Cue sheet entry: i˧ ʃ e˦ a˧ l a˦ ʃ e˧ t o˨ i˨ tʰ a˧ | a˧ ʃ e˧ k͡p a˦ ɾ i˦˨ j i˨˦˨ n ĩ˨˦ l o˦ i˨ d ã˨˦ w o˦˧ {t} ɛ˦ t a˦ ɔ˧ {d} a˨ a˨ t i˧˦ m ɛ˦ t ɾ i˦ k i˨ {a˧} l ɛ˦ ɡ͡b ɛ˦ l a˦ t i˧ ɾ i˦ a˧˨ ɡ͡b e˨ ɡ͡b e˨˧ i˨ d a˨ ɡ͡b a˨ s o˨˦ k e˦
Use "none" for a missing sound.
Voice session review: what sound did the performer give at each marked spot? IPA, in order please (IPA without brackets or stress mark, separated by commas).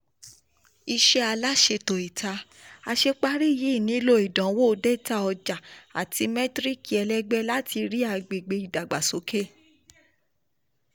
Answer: d, d͡ʒ, ɛ˧